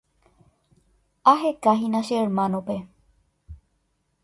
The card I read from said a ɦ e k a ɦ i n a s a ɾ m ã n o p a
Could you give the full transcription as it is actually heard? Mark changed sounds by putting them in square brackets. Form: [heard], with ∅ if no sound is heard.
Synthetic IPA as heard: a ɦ e k a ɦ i n a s [e] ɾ m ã n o p [e]